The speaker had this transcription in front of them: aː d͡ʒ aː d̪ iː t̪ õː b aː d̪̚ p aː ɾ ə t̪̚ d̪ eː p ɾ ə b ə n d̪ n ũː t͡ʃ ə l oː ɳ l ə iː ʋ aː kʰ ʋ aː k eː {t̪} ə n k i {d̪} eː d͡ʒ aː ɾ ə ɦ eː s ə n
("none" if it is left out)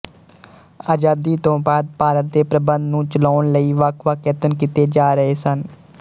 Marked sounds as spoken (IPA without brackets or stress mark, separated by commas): t̪, t̪